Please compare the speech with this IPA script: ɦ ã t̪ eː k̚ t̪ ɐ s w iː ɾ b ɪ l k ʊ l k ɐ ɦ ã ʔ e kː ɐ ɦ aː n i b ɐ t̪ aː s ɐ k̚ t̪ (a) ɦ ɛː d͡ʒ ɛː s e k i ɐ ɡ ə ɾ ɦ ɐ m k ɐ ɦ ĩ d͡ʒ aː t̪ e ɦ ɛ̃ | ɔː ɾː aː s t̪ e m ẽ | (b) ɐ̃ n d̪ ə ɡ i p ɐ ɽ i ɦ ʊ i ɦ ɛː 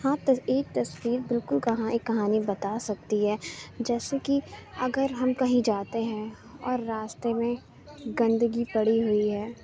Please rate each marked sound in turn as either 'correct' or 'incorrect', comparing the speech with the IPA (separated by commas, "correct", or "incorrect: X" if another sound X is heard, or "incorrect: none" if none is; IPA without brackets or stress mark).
incorrect: i, incorrect: ɡ